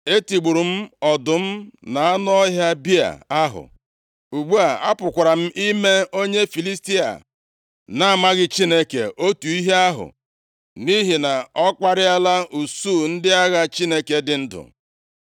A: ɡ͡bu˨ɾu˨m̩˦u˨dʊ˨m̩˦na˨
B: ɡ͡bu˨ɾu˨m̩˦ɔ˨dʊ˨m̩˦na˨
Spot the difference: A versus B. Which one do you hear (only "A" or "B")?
B